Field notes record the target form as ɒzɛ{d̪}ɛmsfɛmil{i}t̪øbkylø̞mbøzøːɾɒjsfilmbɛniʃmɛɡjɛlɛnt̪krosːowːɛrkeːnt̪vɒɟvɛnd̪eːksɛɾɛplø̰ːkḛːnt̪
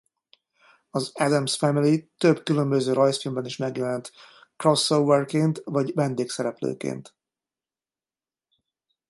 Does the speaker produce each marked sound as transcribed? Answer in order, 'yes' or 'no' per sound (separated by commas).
yes, yes